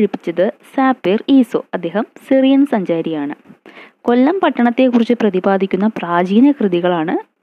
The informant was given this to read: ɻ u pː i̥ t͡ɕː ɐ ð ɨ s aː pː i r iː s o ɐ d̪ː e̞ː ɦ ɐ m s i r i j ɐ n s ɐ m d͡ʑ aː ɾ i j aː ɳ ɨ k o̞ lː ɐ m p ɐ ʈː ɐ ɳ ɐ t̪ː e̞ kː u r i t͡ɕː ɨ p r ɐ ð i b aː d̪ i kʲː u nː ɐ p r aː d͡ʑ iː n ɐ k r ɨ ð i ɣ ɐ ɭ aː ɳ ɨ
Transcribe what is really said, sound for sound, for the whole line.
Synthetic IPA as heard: ɻ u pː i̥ t͡ɕː ɐ ð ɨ s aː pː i r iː s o ɐ d̪ː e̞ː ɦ ɐ m s i r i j ɐ n s ɐ ɲ d͡ʑ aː ɾ i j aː ɳ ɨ k o̞ lː ɐ m p ɐ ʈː ɐ ɳ ɐ t̪ː e̞ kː u r i t͡ɕː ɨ p r ɐ ð i b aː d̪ i kʲː u nː ɐ p r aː d͡ʑ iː n ɐ k r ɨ ð i ɣ ɐ ɭ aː ɳ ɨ